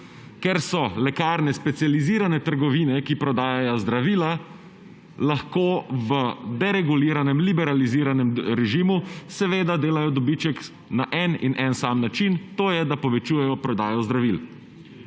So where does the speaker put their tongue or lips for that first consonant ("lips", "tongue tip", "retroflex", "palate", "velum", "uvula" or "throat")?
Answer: velum